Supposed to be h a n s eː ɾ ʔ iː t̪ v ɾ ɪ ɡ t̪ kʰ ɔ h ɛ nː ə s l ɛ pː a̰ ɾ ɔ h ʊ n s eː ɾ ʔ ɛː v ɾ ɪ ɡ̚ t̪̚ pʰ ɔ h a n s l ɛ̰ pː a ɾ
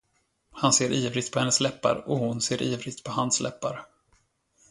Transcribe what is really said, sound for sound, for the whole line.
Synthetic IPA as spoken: h a n s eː ɾ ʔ iː v ɾ ɪ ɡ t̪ pʰ ɔ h ɛ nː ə s l ɛ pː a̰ ɾ ɔ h ʊ n s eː ɾ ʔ iː v ɾ ɪ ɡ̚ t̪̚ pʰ ɔ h a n s l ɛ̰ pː a ɾ